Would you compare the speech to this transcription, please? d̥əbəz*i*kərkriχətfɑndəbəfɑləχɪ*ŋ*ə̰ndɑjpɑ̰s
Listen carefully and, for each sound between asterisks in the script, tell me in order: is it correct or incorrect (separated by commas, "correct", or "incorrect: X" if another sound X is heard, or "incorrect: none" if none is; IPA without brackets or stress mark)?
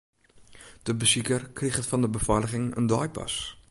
correct, correct